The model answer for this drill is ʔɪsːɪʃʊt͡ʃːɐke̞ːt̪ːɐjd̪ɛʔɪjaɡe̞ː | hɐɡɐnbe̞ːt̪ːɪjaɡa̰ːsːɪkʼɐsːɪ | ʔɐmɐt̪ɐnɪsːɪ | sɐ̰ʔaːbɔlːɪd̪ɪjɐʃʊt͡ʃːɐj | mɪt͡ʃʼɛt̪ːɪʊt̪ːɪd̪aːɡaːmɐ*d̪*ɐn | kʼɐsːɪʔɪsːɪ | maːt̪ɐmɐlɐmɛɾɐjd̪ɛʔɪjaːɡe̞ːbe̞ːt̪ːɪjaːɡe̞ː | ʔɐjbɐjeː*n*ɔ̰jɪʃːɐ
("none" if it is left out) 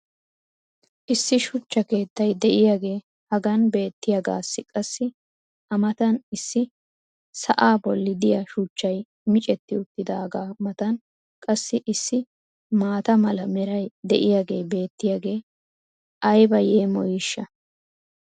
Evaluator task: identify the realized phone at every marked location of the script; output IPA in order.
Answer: t̪, m

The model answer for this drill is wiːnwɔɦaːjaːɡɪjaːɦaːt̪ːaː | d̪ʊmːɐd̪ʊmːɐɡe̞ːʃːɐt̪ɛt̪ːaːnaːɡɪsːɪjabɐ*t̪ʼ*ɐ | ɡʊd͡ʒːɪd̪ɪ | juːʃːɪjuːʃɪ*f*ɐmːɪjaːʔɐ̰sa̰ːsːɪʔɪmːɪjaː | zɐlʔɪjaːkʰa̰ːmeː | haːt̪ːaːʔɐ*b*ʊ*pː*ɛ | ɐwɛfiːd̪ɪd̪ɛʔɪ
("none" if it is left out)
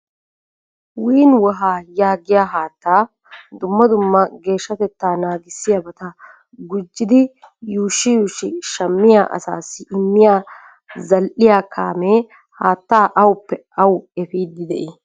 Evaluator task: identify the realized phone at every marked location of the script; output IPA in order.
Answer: t̪, ʃ, w, pː

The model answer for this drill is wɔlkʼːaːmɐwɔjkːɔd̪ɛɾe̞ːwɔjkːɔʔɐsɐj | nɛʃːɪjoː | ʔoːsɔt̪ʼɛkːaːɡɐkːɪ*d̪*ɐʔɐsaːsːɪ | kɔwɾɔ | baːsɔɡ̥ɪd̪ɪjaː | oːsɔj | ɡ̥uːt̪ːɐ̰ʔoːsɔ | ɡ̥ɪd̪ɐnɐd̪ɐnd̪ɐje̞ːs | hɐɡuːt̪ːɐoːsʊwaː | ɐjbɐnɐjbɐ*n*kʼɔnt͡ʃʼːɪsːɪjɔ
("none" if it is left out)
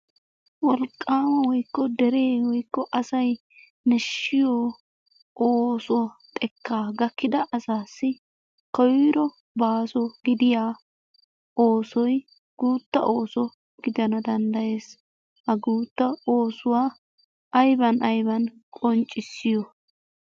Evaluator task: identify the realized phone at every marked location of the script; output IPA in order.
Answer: d̪, n

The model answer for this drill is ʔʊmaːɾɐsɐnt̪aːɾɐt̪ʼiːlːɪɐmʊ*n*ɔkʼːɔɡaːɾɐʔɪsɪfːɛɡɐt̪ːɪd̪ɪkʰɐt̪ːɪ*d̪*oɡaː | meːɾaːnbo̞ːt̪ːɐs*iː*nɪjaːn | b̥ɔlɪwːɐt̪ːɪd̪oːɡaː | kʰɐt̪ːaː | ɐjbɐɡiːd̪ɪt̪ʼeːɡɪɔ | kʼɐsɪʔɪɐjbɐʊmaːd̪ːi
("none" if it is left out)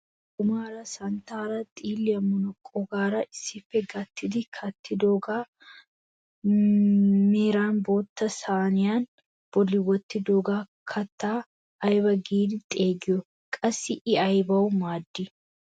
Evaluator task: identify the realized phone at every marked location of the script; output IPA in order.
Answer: n, d̪, aː

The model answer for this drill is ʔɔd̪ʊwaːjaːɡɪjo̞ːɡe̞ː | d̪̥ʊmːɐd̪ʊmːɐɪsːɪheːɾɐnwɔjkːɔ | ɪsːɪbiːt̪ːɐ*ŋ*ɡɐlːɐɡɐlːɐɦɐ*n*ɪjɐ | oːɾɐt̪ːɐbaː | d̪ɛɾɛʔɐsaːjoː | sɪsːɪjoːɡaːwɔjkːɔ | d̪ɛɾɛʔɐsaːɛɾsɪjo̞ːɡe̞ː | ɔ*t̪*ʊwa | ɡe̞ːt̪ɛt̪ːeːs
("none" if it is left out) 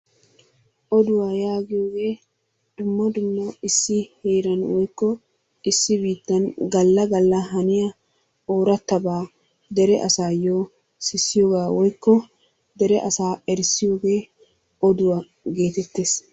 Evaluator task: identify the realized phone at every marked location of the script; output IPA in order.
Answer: n, n, d̪

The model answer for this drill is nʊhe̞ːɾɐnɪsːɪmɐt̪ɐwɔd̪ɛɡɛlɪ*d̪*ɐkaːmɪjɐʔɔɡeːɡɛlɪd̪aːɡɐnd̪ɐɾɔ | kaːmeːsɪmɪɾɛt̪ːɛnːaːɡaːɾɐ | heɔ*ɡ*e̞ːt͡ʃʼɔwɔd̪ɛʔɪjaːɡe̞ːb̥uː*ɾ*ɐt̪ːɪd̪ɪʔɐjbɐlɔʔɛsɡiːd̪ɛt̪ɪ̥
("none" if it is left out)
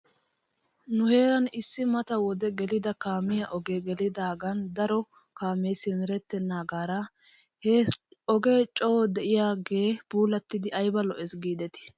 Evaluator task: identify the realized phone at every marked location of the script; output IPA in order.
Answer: d̪, ɡ, l

